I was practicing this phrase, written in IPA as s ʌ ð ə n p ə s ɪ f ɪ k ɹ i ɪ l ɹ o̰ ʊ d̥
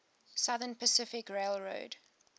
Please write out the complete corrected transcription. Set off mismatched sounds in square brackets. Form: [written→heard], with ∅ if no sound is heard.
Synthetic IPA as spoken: s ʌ ð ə n p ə s ɪ f ɪ k ɹ [i→e] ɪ l ɹ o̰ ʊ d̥